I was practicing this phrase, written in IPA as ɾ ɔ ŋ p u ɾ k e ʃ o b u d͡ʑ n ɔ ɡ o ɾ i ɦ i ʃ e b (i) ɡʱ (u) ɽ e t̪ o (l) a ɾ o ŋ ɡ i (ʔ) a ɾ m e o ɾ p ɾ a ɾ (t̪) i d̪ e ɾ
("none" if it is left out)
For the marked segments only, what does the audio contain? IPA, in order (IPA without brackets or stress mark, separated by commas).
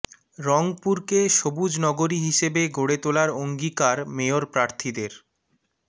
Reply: e, o, l, k, t̪ʰ